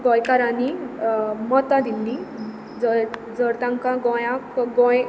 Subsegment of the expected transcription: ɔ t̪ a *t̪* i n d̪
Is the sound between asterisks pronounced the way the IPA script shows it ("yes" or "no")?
no